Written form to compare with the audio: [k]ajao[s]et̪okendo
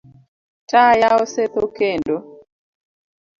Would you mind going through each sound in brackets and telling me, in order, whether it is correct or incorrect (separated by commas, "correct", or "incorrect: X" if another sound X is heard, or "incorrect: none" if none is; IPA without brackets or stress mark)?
incorrect: t, correct